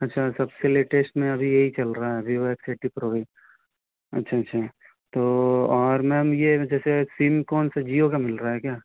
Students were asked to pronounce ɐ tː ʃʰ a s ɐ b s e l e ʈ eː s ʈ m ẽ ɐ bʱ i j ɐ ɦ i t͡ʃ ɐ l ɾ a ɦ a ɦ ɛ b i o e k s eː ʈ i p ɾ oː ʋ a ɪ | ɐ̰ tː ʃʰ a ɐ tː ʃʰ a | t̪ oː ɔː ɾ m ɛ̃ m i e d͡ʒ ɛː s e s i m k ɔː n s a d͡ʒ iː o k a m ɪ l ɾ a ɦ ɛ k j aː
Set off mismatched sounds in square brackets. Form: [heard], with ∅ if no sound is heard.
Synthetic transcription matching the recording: ɐ tː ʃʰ a s ɐ b s e l e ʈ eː s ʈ m ẽ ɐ bʱ i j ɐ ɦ i t͡ʃ ɐ l ɾ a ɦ a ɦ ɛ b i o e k s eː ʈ i p ɾ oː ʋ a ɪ | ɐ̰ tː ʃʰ a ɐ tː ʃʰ a | t̪ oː ɔː ɾ m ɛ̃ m [j] e d͡ʒ ɛː s e s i m k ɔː n s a d͡ʒ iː o k a m ɪ l ɾ a ɦ ɛ k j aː